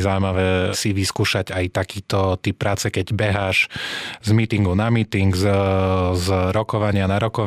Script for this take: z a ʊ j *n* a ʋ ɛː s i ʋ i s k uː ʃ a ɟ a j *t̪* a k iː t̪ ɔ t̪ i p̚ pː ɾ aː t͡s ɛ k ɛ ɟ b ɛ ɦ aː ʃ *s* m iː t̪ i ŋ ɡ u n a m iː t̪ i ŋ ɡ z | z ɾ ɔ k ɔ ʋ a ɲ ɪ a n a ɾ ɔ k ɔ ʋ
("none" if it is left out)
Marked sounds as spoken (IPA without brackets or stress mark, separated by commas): m, t̪, z